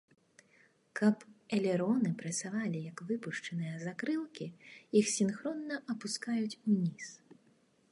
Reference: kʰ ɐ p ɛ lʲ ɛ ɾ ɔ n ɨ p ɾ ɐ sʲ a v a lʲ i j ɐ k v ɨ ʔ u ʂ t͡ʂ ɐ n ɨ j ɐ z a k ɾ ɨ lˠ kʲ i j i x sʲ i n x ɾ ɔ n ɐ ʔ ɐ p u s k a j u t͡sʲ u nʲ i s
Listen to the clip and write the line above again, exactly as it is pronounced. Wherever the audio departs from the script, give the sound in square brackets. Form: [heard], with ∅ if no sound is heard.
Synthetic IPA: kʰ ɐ p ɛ lʲ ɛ ɾ ɔ n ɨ p ɾ ɐ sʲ a v a lʲ i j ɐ k v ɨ [p] u ʂ t͡ʂ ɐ n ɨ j ɐ z a k ɾ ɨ lˠ kʲ i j i x sʲ i n x ɾ ɔ [nː] ɐ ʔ ɐ p u s k a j u t͡sʲ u nʲ i s